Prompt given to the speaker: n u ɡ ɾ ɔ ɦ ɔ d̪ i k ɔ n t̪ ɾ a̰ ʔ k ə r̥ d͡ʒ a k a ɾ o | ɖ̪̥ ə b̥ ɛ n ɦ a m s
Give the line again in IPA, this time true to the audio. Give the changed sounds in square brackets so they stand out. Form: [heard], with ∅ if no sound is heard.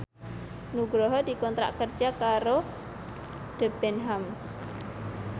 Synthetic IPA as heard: n u ɡ ɾ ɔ ɦ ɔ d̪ i k ɔ n t̪ ɾ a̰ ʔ k ə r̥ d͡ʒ a k a ɾ o | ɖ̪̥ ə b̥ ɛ n ɦ a m s

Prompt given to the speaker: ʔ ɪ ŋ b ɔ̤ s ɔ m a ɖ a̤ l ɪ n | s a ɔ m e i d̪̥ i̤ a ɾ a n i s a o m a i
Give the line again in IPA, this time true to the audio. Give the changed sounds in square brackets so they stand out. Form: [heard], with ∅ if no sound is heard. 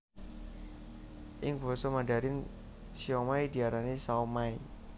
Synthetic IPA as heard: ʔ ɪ ŋ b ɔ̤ s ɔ m a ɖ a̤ [ɾ] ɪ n | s [i] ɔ m [a] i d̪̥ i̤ a ɾ a n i s a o m a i

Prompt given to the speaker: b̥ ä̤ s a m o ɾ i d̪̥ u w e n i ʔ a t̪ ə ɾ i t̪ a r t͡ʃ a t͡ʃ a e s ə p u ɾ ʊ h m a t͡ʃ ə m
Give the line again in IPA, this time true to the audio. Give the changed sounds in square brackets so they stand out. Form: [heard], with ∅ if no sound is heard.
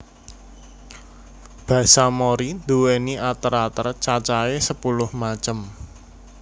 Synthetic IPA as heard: b̥ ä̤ s a m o ɾ i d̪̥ u w e n i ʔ a t̪ ə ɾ [a] t̪ [ə] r t͡ʃ a t͡ʃ a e s ə p u [l] ʊ h m a t͡ʃ ə m

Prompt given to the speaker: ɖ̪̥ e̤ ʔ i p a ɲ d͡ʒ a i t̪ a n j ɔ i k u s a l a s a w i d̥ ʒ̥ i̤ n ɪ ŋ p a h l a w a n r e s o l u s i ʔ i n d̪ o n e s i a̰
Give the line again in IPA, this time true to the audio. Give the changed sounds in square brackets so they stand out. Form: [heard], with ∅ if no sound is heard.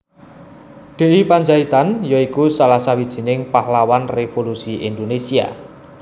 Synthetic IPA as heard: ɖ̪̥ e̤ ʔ i p a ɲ d͡ʒ a i t̪ a n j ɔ i k u s a l a s a w i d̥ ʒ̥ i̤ n ɪ ŋ p a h l a w a n r e [f] o l u s i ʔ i n d̪ o n e s i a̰

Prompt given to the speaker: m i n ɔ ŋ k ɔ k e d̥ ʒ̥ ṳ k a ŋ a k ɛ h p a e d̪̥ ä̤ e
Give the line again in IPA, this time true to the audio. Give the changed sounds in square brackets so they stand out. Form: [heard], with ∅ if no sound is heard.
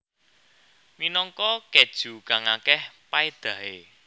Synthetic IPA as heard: m i n ɔ ŋ k ɔ k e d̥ ʒ̥ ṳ k a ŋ a k ɛ h p a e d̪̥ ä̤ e

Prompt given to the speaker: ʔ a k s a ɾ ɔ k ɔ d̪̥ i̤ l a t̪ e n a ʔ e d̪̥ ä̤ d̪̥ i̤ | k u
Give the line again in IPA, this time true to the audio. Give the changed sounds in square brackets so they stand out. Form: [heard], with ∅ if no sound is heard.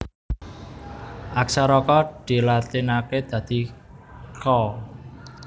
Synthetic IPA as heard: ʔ a k s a ɾ ɔ k ɔ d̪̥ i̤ l a t̪ [i] n a [k] e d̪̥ ä̤ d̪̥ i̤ | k [ɔ]

